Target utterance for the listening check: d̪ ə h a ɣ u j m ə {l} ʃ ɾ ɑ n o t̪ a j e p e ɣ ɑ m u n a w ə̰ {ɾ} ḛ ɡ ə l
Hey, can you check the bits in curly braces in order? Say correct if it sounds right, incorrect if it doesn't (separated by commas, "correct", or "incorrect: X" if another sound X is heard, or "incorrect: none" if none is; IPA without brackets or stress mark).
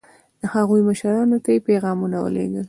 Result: incorrect: none, incorrect: l